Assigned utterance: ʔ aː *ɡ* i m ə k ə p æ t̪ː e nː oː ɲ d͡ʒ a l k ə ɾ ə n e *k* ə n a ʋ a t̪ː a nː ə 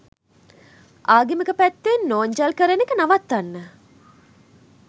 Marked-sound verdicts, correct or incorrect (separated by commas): correct, correct